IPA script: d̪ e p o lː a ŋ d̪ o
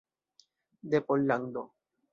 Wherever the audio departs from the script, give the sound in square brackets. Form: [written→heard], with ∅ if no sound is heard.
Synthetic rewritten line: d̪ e p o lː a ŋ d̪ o